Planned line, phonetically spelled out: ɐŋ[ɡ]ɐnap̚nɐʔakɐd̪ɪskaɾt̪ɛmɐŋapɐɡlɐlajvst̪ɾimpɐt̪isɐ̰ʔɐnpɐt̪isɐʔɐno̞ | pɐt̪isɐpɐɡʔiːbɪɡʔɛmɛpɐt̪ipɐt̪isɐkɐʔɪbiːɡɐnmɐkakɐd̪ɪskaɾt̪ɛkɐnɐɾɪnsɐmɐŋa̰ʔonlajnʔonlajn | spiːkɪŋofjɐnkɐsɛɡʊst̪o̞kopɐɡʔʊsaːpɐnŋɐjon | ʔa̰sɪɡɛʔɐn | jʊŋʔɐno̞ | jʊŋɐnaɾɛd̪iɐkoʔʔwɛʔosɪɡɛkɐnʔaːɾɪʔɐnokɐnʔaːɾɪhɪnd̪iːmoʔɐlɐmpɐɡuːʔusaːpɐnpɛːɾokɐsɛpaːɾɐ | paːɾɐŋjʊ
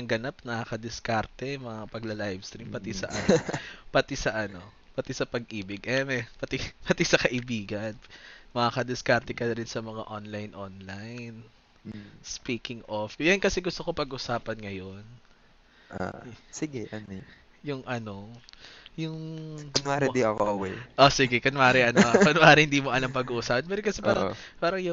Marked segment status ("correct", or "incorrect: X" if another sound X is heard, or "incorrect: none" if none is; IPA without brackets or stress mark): correct